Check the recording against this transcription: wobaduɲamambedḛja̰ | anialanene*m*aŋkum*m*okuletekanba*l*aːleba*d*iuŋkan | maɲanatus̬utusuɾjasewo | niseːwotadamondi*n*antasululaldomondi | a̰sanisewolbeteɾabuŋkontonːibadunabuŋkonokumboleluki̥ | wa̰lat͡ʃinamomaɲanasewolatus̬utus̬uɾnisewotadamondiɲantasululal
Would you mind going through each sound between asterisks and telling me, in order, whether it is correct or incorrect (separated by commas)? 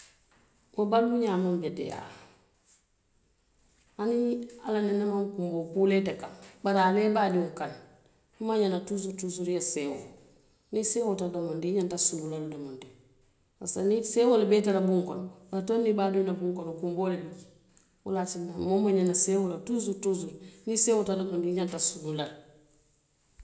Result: correct, incorrect, incorrect, correct, incorrect